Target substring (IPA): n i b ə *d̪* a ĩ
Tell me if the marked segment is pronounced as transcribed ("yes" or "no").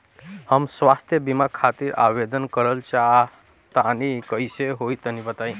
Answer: no